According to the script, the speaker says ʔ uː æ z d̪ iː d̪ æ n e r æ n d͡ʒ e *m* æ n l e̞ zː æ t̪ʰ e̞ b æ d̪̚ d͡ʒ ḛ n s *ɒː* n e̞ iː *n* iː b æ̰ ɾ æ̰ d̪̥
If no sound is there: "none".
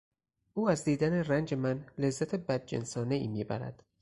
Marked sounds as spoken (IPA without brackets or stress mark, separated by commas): m, ɒː, m